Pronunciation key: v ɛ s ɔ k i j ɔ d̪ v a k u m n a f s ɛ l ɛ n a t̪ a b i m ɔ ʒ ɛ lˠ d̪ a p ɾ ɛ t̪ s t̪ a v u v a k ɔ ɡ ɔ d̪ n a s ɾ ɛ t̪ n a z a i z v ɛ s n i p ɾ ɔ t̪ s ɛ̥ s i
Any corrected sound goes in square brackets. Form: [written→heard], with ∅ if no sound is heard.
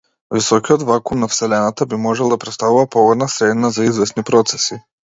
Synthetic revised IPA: v [ɛ→i] s ɔ k i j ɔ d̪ v a k u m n a f s ɛ l ɛ n a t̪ a b i m ɔ ʒ ɛ lˠ d̪ a p ɾ ɛ t̪ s t̪ a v u v a [k→p] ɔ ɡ ɔ d̪ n a s ɾ ɛ [t̪→d̪] n a z a i z v ɛ s n i p ɾ ɔ t̪ s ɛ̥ s i